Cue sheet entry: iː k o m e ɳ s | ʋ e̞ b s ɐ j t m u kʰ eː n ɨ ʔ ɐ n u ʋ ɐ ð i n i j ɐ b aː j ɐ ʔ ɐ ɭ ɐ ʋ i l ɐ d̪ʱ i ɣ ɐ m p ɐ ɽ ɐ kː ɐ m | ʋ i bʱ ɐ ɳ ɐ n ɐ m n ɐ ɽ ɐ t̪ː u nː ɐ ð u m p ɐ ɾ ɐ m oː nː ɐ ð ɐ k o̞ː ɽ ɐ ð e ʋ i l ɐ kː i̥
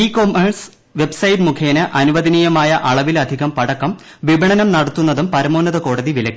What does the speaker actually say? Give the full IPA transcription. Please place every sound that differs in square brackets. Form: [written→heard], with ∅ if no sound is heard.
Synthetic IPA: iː k o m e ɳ s | ʋ e̞ b s ɐ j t m u kʰ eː n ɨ ʔ ɐ n u ʋ ɐ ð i n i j ɐ [b→m] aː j ɐ ʔ ɐ ɭ ɐ ʋ i l ɐ d̪ʱ i ɣ ɐ m p ɐ ɽ ɐ kː ɐ m | ʋ i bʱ ɐ ɳ ɐ n ɐ m n ɐ ɽ ɐ t̪ː u nː ɐ ð u m p ɐ ɾ ɐ m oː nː ɐ ð ɐ k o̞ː ɽ ɐ ð [e→i] ʋ i l ɐ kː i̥

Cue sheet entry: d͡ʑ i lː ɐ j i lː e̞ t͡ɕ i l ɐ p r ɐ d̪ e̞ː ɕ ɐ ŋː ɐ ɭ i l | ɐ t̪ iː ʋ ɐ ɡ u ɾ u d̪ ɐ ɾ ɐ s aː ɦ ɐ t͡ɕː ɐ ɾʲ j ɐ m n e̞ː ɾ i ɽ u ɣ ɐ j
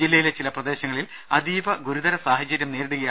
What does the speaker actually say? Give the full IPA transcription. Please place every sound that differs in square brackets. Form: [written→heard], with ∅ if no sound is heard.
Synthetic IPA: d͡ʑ i lː ɐ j i [lː→l] e̞ t͡ɕ i l ɐ p r ɐ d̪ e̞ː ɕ ɐ ŋː ɐ ɭ i l | ɐ [t̪→d̪] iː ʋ ɐ ɡ u ɾ u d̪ ɐ ɾ ɐ s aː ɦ ɐ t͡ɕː ɐ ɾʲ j ɐ m n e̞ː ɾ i ɽ u ɣ ɐ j

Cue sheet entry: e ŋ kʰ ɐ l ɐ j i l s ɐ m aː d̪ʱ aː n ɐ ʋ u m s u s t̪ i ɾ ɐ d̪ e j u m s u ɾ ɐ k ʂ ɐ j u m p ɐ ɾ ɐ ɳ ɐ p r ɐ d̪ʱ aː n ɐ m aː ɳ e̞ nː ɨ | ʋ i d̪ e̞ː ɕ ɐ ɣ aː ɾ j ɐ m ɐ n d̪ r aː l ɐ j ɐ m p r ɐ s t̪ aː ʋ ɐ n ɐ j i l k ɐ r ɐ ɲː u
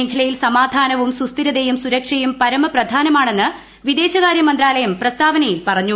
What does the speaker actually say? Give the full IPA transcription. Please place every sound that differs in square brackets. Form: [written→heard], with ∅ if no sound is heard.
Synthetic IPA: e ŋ kʰ ɐ l ɐ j i l s ɐ m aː d̪ʱ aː n ɐ ʋ u m s u s t̪ i ɾ ɐ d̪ e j u m s u ɾ ɐ k ʂ ɐ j u m p ɐ ɾ ɐ [ɳ→m] ɐ p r ɐ d̪ʱ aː n ɐ m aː ɳ e̞ nː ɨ | ʋ i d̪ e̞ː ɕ ɐ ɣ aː ɾ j ɐ m ɐ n d̪ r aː l ɐ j ɐ m p r ɐ s t̪ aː ʋ ɐ n ɐ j i l [k→p] ɐ r ɐ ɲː u

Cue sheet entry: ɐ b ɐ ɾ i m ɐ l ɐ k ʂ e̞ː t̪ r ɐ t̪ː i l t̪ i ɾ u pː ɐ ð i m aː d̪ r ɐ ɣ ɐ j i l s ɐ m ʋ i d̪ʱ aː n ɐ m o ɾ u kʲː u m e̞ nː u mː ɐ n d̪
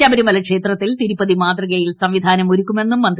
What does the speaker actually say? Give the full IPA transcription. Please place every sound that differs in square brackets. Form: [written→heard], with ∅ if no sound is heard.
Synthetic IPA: ɐ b ɐ ɾ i m ɐ l ɐ k ʂ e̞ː t̪ r ɐ t̪ː i l t̪ i ɾ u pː ɐ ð i m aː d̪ r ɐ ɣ ɐ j i l s ɐ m ʋ i d̪ʱ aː n ɐ m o ɾ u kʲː u m e̞ nː u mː ɐ n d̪

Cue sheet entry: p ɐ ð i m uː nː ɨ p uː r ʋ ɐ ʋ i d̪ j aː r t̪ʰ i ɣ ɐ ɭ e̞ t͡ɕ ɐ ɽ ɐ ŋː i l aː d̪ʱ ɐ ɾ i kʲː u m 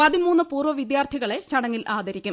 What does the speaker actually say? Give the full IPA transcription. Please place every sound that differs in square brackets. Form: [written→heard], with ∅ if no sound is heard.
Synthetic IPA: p ɐ ð i m uː nː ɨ p uː r ʋ ɐ ʋ i d̪ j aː r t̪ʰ i ɣ ɐ ɭ e̞ t͡ɕ ɐ ɽ ɐ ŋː i l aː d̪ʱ ɐ ɾ i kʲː u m

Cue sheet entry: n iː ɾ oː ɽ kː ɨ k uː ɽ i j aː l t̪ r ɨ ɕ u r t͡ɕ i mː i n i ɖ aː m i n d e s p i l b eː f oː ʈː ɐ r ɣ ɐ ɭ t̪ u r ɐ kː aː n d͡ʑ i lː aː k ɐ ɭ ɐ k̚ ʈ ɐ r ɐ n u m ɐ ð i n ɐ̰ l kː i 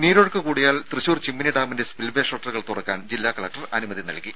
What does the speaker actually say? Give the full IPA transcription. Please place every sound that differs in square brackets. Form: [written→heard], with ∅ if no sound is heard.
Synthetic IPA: n iː ɾ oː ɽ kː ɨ k uː ɽ i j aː l t̪ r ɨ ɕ [u→uː] r t͡ɕ i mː i n i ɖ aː m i n d e s p i l b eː [f→ʂ] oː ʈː ɐ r ɣ ɐ ɭ t̪ u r ɐ kː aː n d͡ʑ i lː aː k ɐ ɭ ɐ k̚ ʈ ɐ r ɐ n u m ɐ ð i n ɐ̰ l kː i

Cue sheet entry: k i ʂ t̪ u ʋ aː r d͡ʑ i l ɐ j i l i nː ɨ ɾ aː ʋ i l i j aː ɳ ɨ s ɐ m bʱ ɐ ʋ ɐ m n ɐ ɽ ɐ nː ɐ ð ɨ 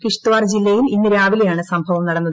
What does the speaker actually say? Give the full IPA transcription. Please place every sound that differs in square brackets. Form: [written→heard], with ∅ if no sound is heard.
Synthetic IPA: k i ʂ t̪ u ʋ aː r d͡ʑ i [l→lː] ɐ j i l i nː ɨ ɾ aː ʋ i l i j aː ɳ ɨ s ɐ m bʱ ɐ ʋ ɐ m n ɐ ɽ ɐ nː ɐ ð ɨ

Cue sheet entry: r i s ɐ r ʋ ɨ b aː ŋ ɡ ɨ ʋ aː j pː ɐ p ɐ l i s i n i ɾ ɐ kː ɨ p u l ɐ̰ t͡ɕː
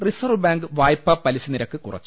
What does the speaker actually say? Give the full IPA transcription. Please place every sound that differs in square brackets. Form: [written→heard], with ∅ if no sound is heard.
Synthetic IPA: r i s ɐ r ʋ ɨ b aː ŋ ɡ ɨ ʋ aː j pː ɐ p ɐ l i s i n i ɾ ɐ kː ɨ [p→k] u [l→r] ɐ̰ t͡ɕː

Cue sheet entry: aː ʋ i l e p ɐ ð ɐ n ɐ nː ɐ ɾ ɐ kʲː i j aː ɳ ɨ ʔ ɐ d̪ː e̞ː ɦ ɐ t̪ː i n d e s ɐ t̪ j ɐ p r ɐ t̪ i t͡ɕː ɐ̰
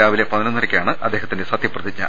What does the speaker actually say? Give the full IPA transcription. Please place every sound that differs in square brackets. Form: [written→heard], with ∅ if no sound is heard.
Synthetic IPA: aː ʋ i l e p ɐ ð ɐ n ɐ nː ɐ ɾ ɐ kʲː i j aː ɳ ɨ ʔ ɐ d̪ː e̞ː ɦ ɐ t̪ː i n d e s ɐ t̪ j ɐ p r ɐ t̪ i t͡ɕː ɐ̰

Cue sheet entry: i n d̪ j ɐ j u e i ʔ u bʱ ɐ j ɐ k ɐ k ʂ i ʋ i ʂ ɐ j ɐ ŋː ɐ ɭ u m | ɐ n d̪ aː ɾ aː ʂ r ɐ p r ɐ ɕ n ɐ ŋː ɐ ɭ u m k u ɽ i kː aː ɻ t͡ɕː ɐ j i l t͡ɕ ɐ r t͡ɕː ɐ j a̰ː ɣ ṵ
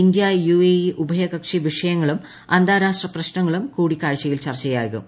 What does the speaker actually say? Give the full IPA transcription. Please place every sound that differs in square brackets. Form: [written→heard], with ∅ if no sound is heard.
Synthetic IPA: i n d̪ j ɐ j u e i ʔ u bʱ ɐ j ɐ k ɐ k ʂ i ʋ i ʂ ɐ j ɐ ŋː ɐ ɭ u m | ɐ n d̪ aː ɾ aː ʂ r ɐ p r ɐ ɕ n ɐ ŋː ɐ ɭ u m k [u→uː] ɽ i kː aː ɻ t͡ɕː ɐ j i l t͡ɕ ɐ r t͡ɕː ɐ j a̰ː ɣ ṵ

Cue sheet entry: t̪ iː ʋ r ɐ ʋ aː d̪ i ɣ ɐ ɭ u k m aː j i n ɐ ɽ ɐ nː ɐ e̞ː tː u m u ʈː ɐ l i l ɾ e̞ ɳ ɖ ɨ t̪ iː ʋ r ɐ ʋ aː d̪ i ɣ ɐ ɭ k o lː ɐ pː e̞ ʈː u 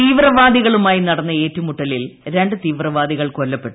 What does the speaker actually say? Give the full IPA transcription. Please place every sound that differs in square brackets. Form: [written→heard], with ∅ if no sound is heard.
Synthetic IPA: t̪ iː ʋ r ɐ ʋ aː d̪ i ɣ ɐ ɭ u [k→∅] m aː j i n ɐ ɽ ɐ nː ɐ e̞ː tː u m u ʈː ɐ l i l ɾ e̞ ɳ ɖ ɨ t̪ iː ʋ r ɐ ʋ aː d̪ i ɣ ɐ ɭ k o lː ɐ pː e̞ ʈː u

